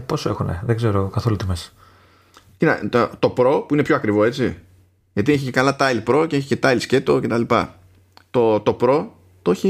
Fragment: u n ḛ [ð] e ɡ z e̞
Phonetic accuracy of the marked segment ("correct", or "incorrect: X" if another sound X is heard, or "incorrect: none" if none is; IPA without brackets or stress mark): correct